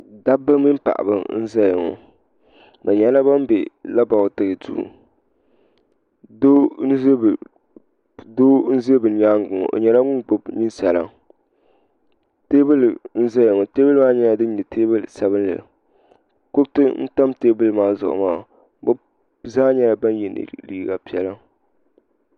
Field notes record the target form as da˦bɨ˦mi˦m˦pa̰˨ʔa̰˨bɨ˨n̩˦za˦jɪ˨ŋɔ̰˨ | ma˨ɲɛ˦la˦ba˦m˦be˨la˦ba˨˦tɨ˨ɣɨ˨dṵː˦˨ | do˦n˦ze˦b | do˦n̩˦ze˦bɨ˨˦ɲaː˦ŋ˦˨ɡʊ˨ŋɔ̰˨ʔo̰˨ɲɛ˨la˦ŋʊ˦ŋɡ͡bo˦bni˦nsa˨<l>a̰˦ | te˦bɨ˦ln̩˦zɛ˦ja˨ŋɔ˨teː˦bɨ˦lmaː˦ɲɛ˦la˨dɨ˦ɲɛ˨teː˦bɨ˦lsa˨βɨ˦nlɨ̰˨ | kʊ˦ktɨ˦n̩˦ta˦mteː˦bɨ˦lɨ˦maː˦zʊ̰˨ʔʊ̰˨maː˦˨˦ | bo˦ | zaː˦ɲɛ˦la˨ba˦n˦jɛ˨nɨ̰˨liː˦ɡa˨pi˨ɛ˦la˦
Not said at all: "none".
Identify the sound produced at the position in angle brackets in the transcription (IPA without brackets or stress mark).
l